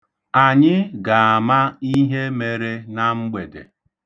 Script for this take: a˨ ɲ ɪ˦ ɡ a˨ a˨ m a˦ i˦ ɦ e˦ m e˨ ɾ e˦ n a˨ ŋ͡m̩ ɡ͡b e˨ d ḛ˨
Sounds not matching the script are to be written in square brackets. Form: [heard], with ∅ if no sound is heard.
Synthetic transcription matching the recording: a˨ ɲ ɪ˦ ɡ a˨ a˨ m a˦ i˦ ɦ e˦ m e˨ ɾ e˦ n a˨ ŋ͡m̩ ɡ͡b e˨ d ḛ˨